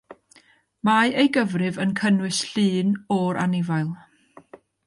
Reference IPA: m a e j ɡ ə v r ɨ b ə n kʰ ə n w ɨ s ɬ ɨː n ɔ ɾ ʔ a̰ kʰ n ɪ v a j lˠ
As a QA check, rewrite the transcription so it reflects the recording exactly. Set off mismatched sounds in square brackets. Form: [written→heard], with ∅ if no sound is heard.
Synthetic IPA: m a e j ɡ ə v r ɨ [b→v] ə n kʰ ə n w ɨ s ɬ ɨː n ɔ ɾ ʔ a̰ [kʰ→∅] n ɪ v a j lˠ